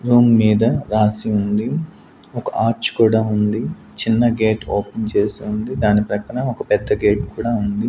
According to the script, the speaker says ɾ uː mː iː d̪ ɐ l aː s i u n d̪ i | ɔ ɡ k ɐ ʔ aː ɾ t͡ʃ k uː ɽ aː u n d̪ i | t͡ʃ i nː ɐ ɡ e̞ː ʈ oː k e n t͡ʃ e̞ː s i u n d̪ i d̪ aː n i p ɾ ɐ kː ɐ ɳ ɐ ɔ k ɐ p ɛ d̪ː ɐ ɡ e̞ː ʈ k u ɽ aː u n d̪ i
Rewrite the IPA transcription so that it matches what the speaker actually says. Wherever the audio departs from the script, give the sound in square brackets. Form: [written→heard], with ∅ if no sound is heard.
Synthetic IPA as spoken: ɾ uː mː iː d̪ ɐ [l→ɾ] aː s i u n d̪ i | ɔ [ɡ→∅] k ɐ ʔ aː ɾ t͡ʃ k uː ɽ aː u n d̪ i | t͡ʃ i nː ɐ ɡ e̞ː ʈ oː [k→p] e n t͡ʃ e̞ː s i u n d̪ i d̪ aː n i p ɾ ɐ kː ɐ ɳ ɐ ɔ k ɐ p ɛ d̪ː ɐ ɡ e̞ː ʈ k [u→uː] ɽ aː u n d̪ i